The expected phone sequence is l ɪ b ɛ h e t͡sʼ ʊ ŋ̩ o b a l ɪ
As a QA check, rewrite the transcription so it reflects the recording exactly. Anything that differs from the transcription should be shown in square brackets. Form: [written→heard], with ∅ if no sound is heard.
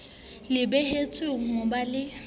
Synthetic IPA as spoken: l ɪ b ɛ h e t͡sʼ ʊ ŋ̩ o b a l ɪ